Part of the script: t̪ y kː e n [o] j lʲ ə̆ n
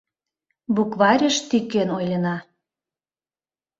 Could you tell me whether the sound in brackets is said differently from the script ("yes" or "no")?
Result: no